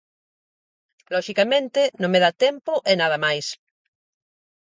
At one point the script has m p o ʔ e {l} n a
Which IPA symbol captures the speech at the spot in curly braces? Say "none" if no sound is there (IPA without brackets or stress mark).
none